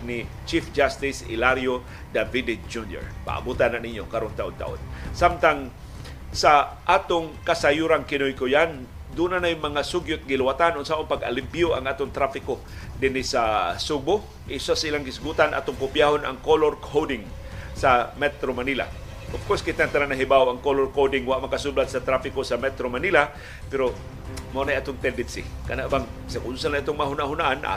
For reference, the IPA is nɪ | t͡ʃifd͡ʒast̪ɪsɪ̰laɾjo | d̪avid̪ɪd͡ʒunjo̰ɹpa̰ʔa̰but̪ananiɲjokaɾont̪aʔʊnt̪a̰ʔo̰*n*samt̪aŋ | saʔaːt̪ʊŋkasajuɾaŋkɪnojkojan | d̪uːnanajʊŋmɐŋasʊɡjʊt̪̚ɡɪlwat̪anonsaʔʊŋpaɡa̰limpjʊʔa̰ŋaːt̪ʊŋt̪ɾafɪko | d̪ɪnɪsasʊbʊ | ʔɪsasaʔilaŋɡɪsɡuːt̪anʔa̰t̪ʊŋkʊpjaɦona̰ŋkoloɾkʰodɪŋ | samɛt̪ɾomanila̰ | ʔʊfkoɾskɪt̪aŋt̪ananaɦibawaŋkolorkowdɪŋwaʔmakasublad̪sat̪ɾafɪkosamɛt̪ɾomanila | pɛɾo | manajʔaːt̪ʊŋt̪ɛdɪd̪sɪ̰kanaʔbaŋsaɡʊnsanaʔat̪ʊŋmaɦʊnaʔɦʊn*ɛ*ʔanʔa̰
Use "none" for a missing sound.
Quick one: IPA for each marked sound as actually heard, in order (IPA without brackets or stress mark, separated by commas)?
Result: n, a